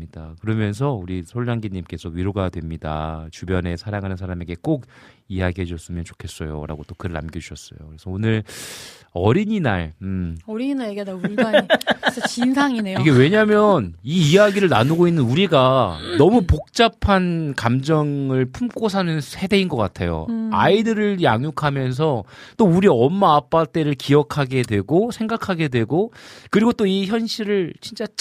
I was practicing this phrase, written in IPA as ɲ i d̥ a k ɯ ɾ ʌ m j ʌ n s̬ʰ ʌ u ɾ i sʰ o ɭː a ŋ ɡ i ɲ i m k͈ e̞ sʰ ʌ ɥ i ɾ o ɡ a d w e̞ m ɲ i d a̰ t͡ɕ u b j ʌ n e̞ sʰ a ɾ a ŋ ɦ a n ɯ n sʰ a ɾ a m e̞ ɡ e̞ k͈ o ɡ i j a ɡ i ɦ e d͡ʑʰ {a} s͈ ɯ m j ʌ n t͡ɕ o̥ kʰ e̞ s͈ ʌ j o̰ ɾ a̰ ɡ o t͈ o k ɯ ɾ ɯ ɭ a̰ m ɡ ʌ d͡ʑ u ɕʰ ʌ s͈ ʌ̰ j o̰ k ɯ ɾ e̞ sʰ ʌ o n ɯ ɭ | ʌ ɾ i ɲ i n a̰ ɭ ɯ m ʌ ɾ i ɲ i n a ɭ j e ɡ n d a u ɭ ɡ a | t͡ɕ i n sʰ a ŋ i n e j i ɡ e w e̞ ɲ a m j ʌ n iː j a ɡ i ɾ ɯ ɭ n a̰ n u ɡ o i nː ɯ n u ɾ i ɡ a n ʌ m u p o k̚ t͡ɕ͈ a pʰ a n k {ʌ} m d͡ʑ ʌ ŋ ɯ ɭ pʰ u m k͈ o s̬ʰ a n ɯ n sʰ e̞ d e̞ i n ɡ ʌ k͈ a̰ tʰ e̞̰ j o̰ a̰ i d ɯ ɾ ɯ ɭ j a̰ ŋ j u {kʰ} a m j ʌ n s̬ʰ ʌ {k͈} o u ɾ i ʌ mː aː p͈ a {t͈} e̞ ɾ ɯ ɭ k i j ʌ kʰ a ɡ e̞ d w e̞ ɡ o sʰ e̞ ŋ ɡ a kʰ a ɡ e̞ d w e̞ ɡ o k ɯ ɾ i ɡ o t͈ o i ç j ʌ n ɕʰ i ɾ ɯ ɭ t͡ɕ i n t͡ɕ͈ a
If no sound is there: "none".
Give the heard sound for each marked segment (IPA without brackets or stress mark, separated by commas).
ʌ, a, kʰ, t͈, t͈